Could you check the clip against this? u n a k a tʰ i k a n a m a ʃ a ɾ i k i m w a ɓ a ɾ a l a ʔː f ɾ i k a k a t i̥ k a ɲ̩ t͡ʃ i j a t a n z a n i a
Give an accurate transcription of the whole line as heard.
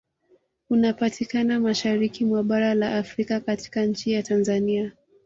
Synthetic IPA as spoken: u n a p a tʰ i k a n a m a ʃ a ɾ i k i m w a ɓ a ɾ a l a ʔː f ɾ i k a k a t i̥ k a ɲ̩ t͡ʃ i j a t a n z a n i a

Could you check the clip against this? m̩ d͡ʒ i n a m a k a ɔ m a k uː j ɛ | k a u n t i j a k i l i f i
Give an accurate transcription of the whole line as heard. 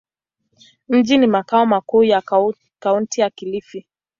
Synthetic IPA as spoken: m̩ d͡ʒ i n i m a k a ɔ m a k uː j a | k a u n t i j a k i l i f i

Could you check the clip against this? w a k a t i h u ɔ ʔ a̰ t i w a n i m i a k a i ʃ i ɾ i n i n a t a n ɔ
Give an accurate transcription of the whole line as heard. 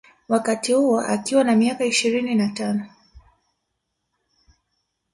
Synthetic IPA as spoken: w a k a t i h u ɔ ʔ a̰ k i w a n a m i a k a i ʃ i ɾ i n i n a t a n ɔ

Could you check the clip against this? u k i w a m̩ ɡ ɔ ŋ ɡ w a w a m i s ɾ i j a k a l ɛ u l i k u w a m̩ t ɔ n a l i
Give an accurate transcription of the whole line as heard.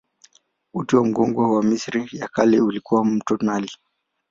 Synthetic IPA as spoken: u t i w a m̩ ɡ ɔ ŋ ɡ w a w a m i s ɾ i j a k a l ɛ u l i k u w a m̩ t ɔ n a l i

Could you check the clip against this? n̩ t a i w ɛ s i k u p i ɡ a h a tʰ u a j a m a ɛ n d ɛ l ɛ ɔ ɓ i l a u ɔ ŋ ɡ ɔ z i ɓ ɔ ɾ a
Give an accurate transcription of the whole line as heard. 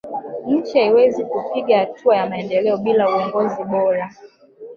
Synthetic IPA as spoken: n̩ t͡ʃ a i w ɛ z i k u p i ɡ a h a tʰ u a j a m a ɛ n d ɛ l ɛ ɔ ɓ i l a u ɔ ŋ ɡ ɔ z i ɓ ɔ ɾ a

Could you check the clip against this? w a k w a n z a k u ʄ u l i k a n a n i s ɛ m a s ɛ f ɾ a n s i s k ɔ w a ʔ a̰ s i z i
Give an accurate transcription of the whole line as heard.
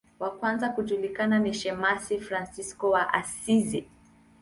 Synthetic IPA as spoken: w a k w a n z a k u ʄ u l i k a n a n i ʃ ɛ m a s i f ɾ a n s i s k ɔ w a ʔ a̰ s i z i

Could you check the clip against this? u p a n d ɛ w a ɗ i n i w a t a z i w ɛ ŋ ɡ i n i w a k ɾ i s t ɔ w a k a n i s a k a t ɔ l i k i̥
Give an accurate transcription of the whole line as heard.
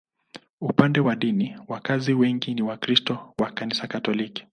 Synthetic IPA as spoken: u p a n d ɛ w a ɗ i n i w a k a z i w ɛ ŋ ɡ i n i w a k ɾ i s t ɔ w a k a n i s a k a t ɔ l i k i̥

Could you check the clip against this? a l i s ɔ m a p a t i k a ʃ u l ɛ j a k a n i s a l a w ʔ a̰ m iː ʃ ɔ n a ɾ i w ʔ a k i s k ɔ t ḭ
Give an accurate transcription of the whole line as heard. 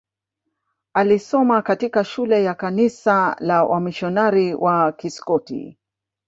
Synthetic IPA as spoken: a l i s ɔ m a k a t i k a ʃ u l ɛ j a k a n i s a l a w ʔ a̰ m i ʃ ɔ n a ɾ i w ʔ a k i s k ɔ t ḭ

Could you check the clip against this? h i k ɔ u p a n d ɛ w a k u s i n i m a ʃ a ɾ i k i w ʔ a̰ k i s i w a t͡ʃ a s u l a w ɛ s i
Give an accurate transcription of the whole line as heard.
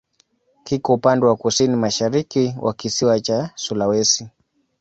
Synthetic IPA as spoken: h i k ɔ u p a n d ɛ w a k u s i n i m a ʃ a ɾ i k i w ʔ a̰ k i s i w a t͡ʃ a s u l a w ɛ s i

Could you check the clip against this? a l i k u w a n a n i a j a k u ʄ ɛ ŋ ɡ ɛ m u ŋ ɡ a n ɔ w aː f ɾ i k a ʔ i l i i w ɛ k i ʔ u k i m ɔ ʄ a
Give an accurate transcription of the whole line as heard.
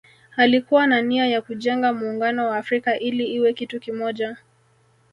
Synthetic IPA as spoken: a l i k u w a n a n i a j a k u ʄ ɛ ŋ ɡ a m uː ŋ ɡ a n ɔ w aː f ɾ i k a ʔ i l i i w ɛ k i t u k i m ɔ ʄ a

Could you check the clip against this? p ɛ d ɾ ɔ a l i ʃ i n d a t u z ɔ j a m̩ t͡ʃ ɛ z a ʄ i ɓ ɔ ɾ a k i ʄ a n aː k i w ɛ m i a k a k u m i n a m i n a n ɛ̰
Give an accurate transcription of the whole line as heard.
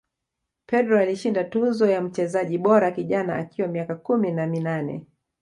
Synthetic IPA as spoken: p ɛ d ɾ ɔ a l i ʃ i n d a t u z ɔ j a m̩ t͡ʃ ɛ z a ʄ i ɓ ɔ ɾ a k i ʄ a n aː k i w a m i a k a k u m i n a m i n a n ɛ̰

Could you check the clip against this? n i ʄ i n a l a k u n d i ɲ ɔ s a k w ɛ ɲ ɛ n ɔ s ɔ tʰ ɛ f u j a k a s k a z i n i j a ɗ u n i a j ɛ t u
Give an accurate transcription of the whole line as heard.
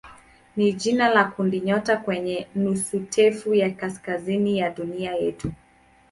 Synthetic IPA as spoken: n i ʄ i n a l a k u n d i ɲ ɔ t a k w ɛ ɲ ɛ n u s u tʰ ɛ f u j a k a s k a z i n i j a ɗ u n i a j ɛ t u

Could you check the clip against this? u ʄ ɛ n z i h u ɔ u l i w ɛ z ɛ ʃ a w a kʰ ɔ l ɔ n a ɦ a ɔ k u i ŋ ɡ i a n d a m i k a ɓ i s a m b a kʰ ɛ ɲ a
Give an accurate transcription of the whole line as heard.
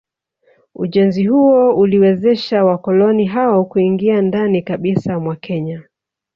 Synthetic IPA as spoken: u ʄ ɛ n z i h u ɔ u l i w ɛ z ɛ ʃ a w a k ɔ l ɔ n i ɦ a ɔ k u i ŋ ɡ i a n d a n i k a ɓ i s a m w a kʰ ɛ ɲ a

